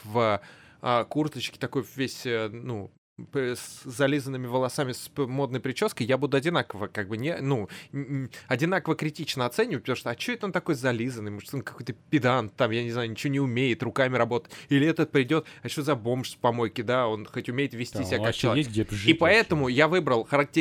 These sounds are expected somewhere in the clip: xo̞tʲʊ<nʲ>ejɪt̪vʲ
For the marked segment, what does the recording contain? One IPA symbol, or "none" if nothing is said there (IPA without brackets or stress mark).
mʲ